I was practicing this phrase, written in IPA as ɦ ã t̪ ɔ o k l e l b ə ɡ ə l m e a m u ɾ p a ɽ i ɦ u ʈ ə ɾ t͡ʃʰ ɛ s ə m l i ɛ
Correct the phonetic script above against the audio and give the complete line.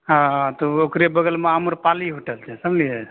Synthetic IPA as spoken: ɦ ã t̪ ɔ o k ɾ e b ə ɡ ə l m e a m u ɾ p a l i ɦ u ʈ ə l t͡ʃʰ ɛ s ə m l i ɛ